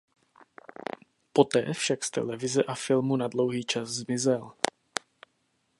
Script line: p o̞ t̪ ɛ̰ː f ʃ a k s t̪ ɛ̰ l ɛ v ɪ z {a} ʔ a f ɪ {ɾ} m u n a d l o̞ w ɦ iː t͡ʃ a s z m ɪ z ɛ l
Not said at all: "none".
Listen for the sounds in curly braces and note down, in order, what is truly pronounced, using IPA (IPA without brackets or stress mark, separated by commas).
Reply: ɛ, l